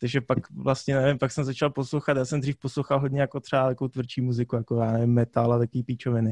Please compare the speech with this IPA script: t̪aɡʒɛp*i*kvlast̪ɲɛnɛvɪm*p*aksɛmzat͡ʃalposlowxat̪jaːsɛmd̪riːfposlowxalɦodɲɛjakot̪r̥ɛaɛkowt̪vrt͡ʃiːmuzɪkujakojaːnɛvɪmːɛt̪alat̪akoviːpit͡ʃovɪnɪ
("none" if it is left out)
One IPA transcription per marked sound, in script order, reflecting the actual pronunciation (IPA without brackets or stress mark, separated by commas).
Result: a, p